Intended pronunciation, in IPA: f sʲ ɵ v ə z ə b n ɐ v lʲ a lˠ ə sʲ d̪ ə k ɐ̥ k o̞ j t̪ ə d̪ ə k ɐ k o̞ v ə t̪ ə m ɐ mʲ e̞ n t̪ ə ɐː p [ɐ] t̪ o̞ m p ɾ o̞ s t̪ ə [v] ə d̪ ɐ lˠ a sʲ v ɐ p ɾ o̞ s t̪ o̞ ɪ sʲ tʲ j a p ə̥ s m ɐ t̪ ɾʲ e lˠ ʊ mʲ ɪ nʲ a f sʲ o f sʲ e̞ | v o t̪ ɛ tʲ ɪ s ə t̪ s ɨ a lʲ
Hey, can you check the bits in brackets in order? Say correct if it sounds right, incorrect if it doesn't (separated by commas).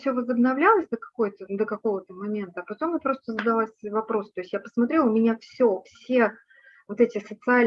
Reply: correct, incorrect